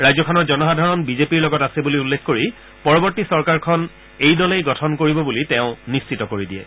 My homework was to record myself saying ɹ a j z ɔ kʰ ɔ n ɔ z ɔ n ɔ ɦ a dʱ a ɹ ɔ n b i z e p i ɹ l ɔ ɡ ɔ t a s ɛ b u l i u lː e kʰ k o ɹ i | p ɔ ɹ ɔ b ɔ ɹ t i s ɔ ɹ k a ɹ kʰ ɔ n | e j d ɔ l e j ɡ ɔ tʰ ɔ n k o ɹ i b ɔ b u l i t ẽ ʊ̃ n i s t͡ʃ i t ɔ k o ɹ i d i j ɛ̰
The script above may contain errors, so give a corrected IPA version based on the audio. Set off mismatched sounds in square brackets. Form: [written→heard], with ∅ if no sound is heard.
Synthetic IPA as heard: ɹ a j z ɔ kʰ ɔ n ɔ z ɔ n ɔ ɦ a dʱ a ɹ ɔ n b i z e p i ɹ l ɔ ɡ ɔ t a s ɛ b u l i u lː e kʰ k o ɹ i | p ɔ ɹ ɔ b ɔ ɹ t i s ɔ ɹ k a ɹ kʰ ɔ n | e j d ɔ l e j ɡ ɔ tʰ ɔ n k o ɹ i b ɔ b u l i t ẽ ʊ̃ n i s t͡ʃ i t ɔ k o ɹ i d i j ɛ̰